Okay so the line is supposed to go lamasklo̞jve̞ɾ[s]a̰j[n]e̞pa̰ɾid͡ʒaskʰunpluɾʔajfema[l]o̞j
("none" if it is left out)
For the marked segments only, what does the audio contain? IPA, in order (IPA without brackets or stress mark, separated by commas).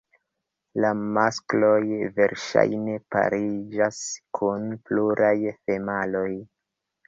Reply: ʃ, n, l